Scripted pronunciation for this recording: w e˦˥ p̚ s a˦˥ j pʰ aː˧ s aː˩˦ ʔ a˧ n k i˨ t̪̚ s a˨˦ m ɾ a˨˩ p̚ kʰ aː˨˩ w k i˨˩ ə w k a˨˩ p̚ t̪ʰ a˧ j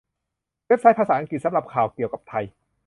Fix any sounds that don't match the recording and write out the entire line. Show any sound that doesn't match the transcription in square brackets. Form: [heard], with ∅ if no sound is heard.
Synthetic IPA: w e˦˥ p̚ s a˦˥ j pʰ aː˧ s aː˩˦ ʔ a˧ [ŋ] k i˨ t̪̚ s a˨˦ m ɾ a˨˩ p̚ kʰ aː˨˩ w k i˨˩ ə w k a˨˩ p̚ t̪ʰ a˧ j